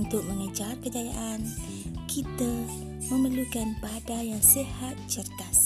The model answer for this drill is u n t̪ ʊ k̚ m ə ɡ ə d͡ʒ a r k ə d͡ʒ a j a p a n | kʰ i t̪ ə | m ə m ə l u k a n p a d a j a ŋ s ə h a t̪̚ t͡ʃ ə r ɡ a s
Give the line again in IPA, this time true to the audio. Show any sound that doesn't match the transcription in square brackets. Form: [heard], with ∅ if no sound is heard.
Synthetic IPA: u n t̪ ʊ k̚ m ə [ŋ] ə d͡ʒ a r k ə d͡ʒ a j a [ʔ] a n | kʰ i t̪ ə | m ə m ə l u k a n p a d a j a ŋ s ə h a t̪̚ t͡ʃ ə r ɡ a s